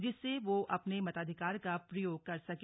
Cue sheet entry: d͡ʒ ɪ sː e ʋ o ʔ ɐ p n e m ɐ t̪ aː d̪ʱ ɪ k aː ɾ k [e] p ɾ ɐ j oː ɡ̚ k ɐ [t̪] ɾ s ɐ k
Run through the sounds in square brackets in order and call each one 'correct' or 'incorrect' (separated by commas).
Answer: incorrect, incorrect